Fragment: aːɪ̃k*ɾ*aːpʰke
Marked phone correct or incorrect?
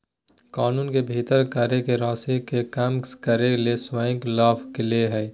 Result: incorrect